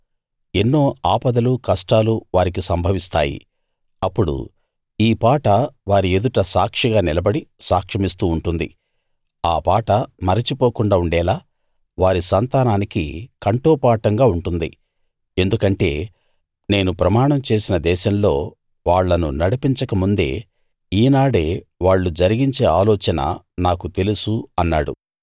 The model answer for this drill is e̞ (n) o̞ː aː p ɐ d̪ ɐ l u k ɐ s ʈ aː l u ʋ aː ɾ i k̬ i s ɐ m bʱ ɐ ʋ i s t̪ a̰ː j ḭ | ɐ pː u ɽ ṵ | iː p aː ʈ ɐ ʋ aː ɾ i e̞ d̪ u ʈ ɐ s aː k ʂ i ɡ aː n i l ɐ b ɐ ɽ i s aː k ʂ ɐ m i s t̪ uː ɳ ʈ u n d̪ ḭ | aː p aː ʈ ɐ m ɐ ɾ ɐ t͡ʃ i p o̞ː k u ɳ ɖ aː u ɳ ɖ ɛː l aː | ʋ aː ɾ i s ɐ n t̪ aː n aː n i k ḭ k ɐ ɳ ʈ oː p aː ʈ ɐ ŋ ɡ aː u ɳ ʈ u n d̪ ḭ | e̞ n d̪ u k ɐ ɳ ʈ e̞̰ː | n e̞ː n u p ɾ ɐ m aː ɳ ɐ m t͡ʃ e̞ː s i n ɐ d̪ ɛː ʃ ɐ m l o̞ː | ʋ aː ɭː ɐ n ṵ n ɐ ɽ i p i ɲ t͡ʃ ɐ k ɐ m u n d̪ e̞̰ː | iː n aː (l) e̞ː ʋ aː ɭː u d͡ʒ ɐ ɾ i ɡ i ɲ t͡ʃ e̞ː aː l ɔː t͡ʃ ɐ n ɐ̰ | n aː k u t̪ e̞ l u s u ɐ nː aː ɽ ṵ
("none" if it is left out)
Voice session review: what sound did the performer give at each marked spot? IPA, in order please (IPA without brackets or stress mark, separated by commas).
nː, ɽ